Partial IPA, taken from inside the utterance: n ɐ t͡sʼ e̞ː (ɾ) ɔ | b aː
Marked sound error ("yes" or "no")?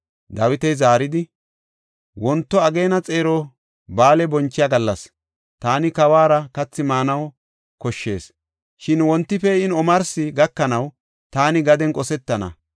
no